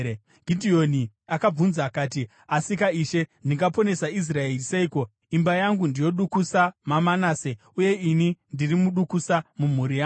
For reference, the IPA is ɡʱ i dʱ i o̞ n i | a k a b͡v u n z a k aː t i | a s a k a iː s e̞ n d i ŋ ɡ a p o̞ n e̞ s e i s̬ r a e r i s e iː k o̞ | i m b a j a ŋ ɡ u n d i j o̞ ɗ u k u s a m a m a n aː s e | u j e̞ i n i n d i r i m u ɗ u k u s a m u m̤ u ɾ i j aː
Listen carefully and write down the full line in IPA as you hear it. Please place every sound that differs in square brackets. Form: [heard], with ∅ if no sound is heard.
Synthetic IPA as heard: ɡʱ i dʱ i o̞ n i | a k a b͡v u n z a k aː t i | a s [i] k a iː [ʃ] e̞ n d i ŋ ɡ a p o̞ n e̞ s [a] i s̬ r a e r i s e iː k o̞ | i m b a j a ŋ ɡ u n d i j o̞ ɗ u k u s a m a m a n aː s e | u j e̞ i n i n d i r i m u ɗ u k u s a m u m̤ u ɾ i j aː